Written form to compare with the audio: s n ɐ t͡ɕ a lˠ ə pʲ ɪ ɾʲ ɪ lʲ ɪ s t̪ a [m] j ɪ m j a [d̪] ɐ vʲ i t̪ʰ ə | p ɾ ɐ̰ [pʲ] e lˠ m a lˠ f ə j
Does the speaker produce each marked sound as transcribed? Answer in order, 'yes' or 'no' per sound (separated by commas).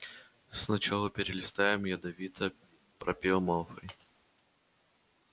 no, yes, yes